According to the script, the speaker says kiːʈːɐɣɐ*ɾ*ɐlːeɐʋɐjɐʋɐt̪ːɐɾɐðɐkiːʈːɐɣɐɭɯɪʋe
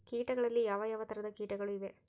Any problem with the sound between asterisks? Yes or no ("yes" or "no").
yes